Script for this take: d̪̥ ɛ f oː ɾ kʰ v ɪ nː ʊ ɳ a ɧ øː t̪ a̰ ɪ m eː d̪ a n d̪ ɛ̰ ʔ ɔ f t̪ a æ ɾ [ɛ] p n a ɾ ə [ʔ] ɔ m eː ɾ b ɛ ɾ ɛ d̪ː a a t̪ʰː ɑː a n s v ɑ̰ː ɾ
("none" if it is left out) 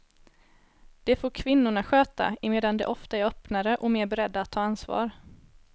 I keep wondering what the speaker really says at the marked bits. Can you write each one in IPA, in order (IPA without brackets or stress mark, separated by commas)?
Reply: œ, ʔ